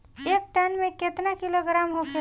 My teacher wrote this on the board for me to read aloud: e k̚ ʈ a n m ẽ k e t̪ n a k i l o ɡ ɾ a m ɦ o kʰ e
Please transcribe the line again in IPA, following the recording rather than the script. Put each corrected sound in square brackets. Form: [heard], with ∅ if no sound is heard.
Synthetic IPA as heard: e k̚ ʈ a n m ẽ k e t̪ n a k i l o ɡ ɾ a m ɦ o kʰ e

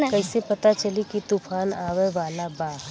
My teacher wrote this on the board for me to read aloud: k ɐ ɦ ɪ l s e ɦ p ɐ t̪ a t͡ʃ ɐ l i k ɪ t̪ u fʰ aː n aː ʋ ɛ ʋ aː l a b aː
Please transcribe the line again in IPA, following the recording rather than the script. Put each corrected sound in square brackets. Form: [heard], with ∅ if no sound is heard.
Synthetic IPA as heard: k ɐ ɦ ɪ [∅] s e [∅] p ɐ t̪ a t͡ʃ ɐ l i k [i] t̪ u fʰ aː n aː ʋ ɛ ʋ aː l a b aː

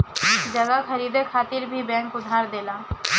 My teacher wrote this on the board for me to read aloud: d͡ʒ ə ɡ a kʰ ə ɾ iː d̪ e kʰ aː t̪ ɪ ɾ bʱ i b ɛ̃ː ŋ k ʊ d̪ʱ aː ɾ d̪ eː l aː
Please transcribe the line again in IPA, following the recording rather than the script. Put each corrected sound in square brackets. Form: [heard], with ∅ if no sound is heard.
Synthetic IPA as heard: d͡ʒ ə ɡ a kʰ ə ɾ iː d̪ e kʰ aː t̪ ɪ ɾ bʱ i b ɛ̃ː ŋ k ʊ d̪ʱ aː ɾ d̪ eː l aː

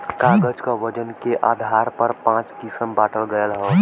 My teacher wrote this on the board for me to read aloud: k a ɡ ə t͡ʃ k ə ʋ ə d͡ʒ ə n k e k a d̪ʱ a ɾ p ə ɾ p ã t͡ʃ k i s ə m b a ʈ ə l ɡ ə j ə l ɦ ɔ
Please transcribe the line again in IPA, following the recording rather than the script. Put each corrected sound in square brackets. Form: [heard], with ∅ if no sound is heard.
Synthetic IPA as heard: k a ɡ ə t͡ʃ k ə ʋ ə d͡ʒ ə n k e [ʔ] a d̪ʱ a ɾ p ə ɾ p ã t͡ʃ k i s ə m b a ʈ ə l ɡ ə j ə l ɦ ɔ

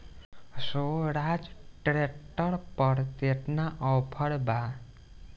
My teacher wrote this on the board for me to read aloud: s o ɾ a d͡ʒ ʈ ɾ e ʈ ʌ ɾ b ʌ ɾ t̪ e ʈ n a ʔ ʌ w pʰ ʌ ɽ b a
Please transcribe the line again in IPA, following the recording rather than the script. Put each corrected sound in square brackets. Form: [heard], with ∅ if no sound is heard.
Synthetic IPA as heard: s o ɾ a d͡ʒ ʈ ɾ e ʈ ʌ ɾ [p] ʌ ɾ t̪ e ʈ n a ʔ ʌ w pʰ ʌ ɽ b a

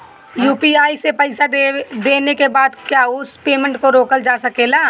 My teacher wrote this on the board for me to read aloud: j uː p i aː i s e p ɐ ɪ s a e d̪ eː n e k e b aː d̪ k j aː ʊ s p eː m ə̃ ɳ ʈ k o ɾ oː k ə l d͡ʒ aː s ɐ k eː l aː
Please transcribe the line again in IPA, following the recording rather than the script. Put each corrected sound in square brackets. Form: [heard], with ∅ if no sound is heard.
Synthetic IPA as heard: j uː p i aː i s e p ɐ ɪ s a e d̪ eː n e k e b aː d̪ k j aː ʊ s p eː m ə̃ ɳ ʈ k o ɾ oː k ə l d͡ʒ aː s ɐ k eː l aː

